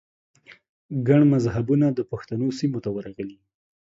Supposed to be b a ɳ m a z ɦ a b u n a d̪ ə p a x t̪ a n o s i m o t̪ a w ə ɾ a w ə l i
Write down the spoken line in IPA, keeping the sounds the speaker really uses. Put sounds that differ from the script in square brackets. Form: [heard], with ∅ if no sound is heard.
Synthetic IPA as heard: [ɡ] a ɳ m a z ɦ a b u n a d̪ ə p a x t̪ a n o s i m o t̪ a w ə ɾ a [ɣ] ə l i